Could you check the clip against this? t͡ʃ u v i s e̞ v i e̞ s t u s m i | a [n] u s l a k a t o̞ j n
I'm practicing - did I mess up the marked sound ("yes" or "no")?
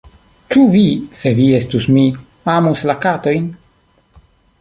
yes